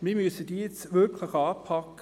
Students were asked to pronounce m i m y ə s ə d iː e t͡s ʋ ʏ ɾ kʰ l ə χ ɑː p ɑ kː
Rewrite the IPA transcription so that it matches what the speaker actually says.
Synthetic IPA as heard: m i m y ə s ə d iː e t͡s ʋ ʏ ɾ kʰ l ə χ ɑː pʰ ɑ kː